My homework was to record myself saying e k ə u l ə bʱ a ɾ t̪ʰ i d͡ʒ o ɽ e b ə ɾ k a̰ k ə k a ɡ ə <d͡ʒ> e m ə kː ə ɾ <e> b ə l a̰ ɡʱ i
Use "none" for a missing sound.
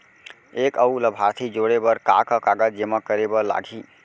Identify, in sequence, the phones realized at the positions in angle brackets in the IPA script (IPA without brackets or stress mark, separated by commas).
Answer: d͡ʒ, e